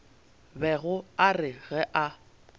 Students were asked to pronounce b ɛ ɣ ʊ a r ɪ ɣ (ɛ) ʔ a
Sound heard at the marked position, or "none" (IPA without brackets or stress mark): ɛ